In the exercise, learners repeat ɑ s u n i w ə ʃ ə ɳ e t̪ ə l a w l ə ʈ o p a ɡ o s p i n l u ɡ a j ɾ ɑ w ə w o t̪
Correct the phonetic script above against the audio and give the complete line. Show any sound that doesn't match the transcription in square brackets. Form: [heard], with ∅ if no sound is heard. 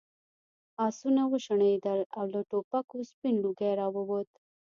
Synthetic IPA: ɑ s u n [a] w ə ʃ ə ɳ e [d̪] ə l a w l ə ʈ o p a [k] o s p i n l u ɡ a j ɾ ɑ w ə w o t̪